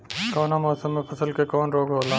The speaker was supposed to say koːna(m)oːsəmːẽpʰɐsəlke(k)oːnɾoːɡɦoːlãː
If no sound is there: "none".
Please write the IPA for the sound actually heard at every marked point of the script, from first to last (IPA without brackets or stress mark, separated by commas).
m, k